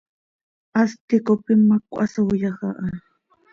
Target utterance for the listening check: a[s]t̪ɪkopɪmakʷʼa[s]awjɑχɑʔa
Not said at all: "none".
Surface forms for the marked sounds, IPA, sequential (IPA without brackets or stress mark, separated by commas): s, s